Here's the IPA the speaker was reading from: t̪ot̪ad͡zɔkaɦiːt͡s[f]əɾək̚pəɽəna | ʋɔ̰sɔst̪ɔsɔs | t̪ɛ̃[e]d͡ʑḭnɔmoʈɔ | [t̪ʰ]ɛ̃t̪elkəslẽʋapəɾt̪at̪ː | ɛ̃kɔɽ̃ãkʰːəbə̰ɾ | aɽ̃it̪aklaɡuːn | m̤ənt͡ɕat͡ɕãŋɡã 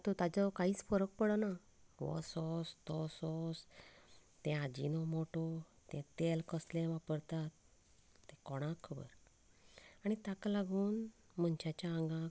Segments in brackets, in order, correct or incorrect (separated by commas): correct, incorrect, incorrect